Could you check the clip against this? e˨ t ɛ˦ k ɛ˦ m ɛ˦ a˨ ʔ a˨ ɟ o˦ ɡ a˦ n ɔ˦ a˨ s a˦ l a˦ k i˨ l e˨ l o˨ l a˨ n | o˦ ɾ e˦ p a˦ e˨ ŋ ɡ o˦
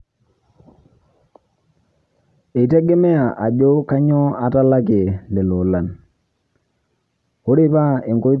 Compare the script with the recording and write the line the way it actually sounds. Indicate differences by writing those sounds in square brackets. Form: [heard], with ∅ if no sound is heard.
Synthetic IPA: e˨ t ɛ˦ [ɡ] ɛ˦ m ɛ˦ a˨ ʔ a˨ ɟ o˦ [k] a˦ [ɲ] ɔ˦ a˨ [t] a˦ l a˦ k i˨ l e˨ l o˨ l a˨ n | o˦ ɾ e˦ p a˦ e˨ ŋ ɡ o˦